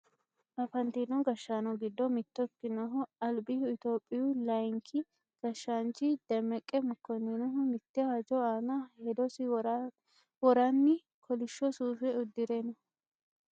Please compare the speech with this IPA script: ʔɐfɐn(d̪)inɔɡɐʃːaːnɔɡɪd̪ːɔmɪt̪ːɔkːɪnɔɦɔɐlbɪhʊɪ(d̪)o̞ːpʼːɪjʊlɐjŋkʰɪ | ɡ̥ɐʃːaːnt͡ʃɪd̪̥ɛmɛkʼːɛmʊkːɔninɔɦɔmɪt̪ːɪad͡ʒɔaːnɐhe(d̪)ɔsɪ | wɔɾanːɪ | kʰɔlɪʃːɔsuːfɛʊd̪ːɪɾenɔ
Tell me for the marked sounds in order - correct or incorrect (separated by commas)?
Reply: incorrect, incorrect, correct